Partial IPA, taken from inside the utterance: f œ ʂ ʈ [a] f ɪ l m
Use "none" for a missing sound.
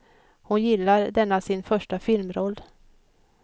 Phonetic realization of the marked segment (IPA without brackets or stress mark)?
a